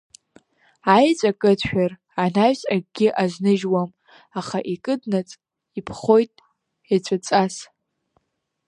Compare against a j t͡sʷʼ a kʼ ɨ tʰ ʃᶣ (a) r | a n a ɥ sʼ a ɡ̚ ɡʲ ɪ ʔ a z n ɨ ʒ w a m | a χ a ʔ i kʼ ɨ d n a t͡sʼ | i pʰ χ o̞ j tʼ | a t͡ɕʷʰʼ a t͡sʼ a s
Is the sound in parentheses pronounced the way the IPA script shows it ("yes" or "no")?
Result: yes